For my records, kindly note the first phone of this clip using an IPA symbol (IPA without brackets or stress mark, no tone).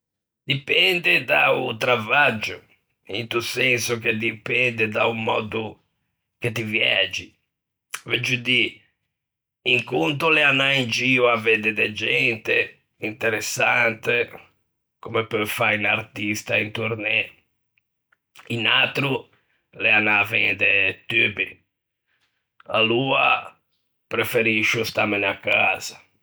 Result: d̪